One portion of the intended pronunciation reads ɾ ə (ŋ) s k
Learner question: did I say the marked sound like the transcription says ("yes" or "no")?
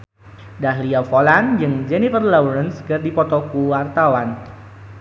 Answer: no